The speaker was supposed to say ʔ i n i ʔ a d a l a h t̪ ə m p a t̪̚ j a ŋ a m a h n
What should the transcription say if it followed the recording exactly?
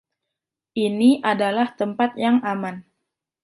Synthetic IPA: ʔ i n i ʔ a d a l a h t̪ ə m p a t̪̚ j a ŋ a m a n